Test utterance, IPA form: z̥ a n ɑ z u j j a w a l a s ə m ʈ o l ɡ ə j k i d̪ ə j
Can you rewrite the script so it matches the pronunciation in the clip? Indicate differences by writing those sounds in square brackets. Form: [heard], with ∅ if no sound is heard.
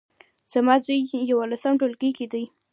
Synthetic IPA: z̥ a [m] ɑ z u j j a w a l a s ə m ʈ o l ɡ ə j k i d̪ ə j